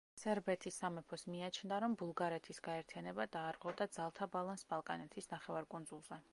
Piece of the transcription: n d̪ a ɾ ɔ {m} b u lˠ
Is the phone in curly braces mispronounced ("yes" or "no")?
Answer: no